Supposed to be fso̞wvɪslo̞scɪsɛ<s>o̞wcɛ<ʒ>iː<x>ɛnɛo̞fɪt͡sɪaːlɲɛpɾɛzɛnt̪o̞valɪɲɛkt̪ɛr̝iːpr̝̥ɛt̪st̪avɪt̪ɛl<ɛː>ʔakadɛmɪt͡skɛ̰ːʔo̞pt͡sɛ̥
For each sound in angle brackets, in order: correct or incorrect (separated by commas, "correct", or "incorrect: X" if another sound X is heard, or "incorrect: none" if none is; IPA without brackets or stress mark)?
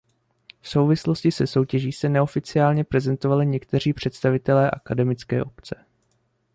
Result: correct, correct, incorrect: s, correct